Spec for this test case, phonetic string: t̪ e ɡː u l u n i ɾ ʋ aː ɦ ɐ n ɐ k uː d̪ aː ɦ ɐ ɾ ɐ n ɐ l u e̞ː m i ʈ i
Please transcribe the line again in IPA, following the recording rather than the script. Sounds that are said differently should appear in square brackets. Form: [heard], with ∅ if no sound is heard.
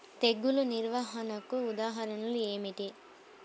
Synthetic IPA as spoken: t̪ e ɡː u l u n i ɾ ʋ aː ɦ ɐ n ɐ k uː d̪ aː ɦ ɐ ɾ ɐ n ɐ l u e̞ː m i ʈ i